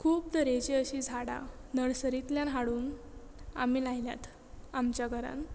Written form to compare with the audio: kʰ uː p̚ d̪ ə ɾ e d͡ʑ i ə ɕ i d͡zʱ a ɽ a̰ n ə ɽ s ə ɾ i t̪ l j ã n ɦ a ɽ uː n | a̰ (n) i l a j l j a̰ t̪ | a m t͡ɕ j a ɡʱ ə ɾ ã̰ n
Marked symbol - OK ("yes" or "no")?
no